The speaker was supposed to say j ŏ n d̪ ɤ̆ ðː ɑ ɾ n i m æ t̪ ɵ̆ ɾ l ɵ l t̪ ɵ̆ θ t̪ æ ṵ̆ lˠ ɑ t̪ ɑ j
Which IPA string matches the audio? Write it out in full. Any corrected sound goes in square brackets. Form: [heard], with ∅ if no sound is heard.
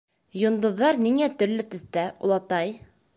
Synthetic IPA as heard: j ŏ n d̪ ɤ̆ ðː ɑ ɾ n i [ŋ] æ t̪ ɵ̆ ɾ l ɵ [∅] t̪ ɵ̆ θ t̪ æ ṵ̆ lˠ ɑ t̪ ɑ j

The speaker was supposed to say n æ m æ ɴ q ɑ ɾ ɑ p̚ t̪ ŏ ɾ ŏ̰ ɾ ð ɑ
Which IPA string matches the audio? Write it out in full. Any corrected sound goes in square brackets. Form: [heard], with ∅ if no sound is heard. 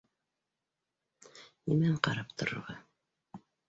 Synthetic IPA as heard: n [i] m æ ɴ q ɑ ɾ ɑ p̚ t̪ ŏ ɾ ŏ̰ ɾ [ʁ] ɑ

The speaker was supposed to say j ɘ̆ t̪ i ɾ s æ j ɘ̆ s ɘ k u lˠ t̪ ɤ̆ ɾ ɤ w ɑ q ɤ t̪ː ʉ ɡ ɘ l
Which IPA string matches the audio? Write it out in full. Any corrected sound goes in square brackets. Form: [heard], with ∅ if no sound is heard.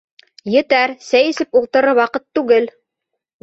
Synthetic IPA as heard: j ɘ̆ t̪ [æ] ɾ s æ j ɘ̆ s ɘ [p] u lˠ t̪ ɤ̆ ɾ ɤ w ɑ q ɤ t̪ː ʉ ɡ ɘ l

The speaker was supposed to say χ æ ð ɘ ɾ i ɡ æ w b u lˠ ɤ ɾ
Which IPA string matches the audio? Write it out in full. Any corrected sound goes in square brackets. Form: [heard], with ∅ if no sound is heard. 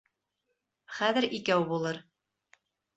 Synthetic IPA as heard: χ æ ð ɘ ɾ i [k] æ w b u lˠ ɤ ɾ

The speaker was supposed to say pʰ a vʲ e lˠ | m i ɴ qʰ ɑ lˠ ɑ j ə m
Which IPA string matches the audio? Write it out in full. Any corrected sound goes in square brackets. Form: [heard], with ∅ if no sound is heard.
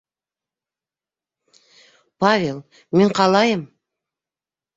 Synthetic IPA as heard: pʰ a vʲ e lˠ | m [e] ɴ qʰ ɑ lˠ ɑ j ə m

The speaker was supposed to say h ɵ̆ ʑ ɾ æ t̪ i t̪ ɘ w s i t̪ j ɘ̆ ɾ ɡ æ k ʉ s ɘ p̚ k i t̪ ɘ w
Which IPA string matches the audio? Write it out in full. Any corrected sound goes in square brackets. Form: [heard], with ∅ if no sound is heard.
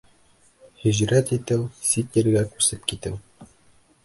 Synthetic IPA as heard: h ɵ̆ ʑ ɾ æ t̪ i t̪ ɘ w s i t̪ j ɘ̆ ɾ ɡ æ k ʉ s ɘ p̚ k i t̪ ɘ w

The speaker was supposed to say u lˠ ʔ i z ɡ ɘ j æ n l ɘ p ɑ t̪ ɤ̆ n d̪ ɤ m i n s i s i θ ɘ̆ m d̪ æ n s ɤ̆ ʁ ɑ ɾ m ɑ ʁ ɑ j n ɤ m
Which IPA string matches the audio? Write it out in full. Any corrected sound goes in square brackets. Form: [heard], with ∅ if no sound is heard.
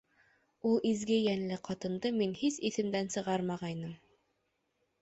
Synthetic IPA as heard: u lˠ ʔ i z ɡ ɘ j æ n l ɘ [q] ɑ t̪ ɤ̆ n d̪ ɤ m i n [h] i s i θ ɘ̆ m d̪ æ n s ɤ̆ ʁ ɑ ɾ m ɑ ʁ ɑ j n ɤ m

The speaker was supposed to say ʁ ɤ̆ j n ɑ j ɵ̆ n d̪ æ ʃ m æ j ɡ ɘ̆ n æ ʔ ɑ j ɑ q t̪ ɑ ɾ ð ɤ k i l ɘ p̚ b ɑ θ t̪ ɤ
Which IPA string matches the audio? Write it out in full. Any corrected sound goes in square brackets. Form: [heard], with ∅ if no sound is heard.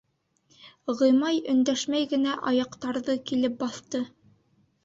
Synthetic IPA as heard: ʁ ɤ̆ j [m] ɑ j ɵ̆ n d̪ æ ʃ m æ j ɡ ɘ̆ n æ ʔ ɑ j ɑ q t̪ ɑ ɾ ð ɤ k i l ɘ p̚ b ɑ θ t̪ ɤ

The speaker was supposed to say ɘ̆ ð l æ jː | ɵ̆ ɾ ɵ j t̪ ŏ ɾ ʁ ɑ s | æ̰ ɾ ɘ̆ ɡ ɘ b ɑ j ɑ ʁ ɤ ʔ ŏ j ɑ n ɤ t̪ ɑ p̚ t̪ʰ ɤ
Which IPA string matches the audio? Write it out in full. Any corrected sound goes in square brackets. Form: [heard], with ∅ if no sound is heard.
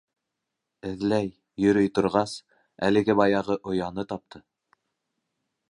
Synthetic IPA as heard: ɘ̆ ð l æ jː | ɵ̆ ɾ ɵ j t̪ ŏ ɾ ʁ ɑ s | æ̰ [l] ɘ̆ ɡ ɘ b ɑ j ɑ ʁ ɤ ʔ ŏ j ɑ n ɤ t̪ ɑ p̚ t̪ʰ ɤ

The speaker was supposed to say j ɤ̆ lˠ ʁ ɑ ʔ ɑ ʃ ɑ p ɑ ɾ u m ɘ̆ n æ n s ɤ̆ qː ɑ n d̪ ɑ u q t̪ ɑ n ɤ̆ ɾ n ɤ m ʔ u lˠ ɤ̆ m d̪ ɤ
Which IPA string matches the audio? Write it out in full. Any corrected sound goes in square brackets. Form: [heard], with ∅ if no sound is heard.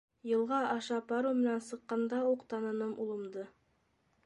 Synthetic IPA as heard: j ɤ̆ lˠ ʁ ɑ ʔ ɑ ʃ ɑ p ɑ ɾ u m ɘ̆ n æ n s ɤ̆ qː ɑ n d̪ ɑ u q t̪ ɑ n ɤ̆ [∅] n ɤ m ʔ u lˠ ɤ̆ m d̪ ɤ

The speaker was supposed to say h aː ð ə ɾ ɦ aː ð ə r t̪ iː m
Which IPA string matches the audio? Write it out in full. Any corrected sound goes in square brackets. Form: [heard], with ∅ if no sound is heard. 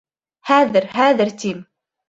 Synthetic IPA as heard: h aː ð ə ɾ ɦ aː ð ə [ɾ] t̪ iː m

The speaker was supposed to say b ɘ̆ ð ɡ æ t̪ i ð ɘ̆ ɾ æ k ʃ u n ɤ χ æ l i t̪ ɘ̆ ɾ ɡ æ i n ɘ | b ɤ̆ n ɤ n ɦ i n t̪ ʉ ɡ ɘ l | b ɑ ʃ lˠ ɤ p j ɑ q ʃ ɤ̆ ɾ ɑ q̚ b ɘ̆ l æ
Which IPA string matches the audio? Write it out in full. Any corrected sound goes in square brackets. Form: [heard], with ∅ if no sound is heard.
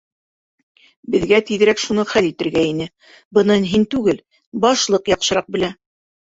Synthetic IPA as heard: b ɘ̆ ð ɡ æ t̪ i ð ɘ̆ ɾ æ k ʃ u n ɤ χ æ l i t̪ ɘ̆ ɾ ɡ æ i n ɘ | b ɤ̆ n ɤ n ɦ i n t̪ ʉ ɡ ɘ l | b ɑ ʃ lˠ ɤ [q] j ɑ q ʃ ɤ̆ ɾ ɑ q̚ b ɘ̆ l æ

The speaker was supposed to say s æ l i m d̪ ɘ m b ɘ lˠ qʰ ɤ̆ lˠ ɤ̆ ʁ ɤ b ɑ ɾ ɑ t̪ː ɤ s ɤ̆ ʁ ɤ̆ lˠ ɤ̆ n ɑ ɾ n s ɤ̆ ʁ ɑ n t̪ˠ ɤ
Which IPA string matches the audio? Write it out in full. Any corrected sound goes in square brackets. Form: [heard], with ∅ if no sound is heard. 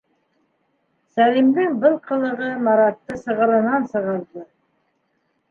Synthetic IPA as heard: s æ l i m d̪ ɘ [ŋ] b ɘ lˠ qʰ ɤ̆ lˠ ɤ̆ ʁ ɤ [m] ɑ ɾ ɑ t̪ː ɤ s ɤ̆ ʁ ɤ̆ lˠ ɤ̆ n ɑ [∅] n s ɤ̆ ʁ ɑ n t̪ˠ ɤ

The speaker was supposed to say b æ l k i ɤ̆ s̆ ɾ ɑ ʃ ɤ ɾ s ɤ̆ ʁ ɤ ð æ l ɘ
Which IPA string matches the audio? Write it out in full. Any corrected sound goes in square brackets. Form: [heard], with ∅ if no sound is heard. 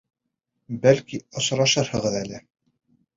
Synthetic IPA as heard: b æ l k i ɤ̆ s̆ ɾ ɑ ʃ ɤ ɾ [h] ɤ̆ ʁ ɤ ð æ l ɘ

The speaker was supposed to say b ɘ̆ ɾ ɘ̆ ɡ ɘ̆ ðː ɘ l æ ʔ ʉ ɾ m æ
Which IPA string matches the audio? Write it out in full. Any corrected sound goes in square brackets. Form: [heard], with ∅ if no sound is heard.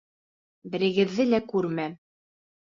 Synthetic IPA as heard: b ɘ̆ ɾ ɘ̆ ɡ ɘ̆ ðː ɘ l æ [k] ʉ ɾ m æ

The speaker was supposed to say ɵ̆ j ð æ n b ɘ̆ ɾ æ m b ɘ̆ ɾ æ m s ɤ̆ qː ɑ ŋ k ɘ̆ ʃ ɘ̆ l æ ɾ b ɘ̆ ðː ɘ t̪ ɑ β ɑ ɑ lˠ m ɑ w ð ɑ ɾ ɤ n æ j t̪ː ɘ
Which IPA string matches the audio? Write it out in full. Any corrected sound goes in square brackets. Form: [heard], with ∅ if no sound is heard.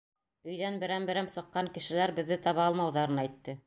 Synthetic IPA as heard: ɵ̆ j ð æ n b ɘ̆ ɾ æ m b ɘ̆ ɾ æ m s ɤ̆ qː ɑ ŋ k ɘ̆ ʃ ɘ̆ l æ ɾ b ɘ̆ ðː ɘ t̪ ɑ β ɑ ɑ lˠ m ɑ w ð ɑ ɾ ɤ n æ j t̪ː ɘ

